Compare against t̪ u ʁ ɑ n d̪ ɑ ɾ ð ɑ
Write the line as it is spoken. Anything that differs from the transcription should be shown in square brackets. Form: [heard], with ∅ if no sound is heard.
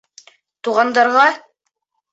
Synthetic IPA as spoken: t̪ u ʁ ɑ n d̪ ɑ ɾ [ʁ] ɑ